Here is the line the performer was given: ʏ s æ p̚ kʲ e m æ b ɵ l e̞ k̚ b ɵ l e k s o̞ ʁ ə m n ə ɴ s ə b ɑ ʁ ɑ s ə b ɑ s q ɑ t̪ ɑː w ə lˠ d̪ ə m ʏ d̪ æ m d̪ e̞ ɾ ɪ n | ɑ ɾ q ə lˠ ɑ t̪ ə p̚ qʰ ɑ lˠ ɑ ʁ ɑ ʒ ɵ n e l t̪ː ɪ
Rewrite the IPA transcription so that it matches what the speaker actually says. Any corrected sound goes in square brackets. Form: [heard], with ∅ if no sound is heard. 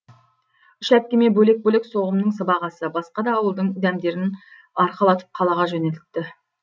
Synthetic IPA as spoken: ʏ [ʃ] æ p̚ kʲ e m [e] b ɵ l e̞ k̚ b ɵ l e k s o̞ ʁ ə m n ə ɴ s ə b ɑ ʁ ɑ s ə b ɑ s q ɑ [d̪] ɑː w ə lˠ d̪ ə [ɴ] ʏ d̪ æ m d̪ e̞ ɾ ɪ n | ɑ ɾ q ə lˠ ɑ t̪ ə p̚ qʰ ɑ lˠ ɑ ʁ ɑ ʒ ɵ n e l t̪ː ɪ